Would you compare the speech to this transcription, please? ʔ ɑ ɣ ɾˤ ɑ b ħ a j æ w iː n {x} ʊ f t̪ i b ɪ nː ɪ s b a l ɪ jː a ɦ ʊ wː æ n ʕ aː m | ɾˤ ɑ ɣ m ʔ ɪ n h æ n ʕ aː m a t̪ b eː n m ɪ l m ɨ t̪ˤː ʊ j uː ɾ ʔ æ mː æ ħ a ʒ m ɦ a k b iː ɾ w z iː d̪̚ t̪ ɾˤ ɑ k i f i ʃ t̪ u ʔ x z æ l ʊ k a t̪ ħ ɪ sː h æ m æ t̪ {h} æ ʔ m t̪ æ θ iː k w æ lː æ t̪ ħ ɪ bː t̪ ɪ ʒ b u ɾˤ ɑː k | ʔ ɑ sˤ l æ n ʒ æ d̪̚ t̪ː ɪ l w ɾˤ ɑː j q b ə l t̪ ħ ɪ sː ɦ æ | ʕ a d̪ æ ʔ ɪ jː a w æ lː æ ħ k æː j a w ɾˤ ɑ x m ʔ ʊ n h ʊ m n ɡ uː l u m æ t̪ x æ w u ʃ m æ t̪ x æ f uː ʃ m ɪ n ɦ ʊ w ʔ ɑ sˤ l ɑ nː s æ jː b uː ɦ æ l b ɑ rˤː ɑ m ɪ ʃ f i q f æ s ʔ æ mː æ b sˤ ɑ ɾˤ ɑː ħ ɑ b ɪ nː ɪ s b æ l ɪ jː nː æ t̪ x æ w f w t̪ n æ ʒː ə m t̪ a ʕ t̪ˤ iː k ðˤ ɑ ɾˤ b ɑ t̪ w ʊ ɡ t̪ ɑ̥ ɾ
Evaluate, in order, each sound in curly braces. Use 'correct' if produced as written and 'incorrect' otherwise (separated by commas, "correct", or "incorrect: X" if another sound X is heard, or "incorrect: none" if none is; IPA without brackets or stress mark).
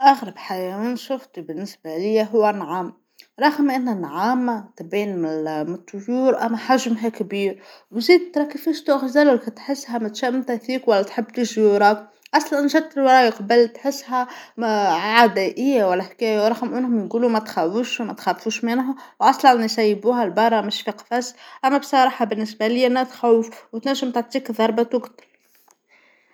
incorrect: ʃ, incorrect: ʃ